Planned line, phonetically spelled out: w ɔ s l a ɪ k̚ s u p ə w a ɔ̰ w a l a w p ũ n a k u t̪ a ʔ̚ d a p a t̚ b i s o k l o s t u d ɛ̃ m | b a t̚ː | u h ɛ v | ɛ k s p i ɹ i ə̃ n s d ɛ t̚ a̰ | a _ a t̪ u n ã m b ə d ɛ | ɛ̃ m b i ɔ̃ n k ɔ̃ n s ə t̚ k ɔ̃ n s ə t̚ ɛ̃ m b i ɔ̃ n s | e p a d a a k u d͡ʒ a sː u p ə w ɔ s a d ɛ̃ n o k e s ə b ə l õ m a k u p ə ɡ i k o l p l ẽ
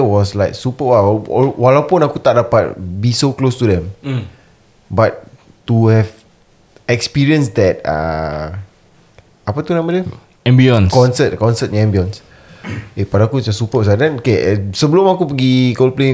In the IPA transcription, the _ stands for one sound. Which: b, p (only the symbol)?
p